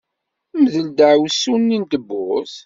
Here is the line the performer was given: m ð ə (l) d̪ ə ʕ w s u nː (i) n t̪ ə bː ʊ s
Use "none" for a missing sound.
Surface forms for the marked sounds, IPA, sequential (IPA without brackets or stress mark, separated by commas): l, i